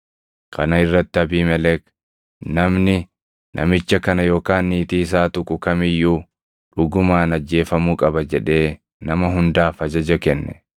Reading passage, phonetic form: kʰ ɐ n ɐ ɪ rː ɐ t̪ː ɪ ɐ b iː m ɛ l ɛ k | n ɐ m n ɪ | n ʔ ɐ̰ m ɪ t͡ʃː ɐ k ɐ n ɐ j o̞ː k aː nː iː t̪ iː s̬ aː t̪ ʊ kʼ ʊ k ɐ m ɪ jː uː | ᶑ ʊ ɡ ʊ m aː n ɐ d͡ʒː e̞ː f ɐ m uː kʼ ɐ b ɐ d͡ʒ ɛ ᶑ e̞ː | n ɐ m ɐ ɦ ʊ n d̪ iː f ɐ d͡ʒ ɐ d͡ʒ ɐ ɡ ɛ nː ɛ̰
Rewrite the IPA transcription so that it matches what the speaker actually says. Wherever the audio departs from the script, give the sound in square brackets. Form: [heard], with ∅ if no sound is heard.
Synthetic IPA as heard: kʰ ɐ n ɐ ɪ rː ɐ t̪ː ɪ ɐ b iː m ɛ l ɛ k | n ɐ m n ɪ | n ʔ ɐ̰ m ɪ t͡ʃː ɐ k ɐ n ɐ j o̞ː k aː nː iː t̪ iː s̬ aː t̪ ʊ kʼ ʊ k ɐ m ɪ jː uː | ᶑ ʊ ɡ ʊ m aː n ɐ d͡ʒː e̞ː f ɐ m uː kʼ ɐ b ɐ d͡ʒ ɛ ᶑ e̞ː | n ɐ m ɐ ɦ ʊ n d̪ [aː] f ɐ d͡ʒ ɐ d͡ʒ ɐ [k] ɛ nː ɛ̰